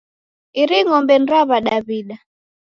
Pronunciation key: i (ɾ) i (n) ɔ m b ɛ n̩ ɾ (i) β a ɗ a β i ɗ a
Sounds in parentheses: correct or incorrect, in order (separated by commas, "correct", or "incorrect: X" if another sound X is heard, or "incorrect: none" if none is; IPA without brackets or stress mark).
correct, incorrect: ŋ, incorrect: a